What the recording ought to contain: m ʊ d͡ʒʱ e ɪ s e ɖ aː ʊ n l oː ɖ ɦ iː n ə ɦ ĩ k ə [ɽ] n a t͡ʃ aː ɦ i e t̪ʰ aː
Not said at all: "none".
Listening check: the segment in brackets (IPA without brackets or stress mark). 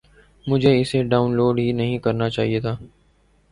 ɾ